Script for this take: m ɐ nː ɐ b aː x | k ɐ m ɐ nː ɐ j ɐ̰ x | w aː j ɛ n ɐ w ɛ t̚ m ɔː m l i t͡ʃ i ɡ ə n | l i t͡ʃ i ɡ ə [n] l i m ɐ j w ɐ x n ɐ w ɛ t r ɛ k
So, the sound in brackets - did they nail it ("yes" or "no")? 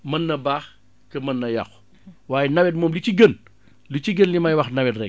yes